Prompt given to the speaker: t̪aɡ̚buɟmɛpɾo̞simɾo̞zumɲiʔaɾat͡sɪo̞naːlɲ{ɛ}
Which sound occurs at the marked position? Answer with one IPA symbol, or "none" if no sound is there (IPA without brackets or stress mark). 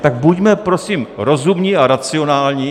i